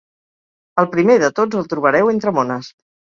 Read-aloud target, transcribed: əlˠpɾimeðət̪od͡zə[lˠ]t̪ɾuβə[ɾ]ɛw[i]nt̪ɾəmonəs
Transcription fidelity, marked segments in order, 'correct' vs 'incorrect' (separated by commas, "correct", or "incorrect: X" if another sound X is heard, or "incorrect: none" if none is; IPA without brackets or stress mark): correct, correct, incorrect: e